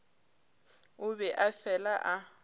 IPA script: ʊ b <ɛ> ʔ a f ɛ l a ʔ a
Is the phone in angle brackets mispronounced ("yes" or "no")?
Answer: no